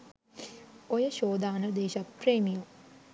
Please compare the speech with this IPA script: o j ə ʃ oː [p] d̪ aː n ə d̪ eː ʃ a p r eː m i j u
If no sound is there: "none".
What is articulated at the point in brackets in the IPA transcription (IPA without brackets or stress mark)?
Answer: none